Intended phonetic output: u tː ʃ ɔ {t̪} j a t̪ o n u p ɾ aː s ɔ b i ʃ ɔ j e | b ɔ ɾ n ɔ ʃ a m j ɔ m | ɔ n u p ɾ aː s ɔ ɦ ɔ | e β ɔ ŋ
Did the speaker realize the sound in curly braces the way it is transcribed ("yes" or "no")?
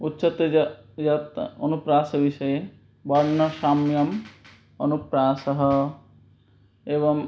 yes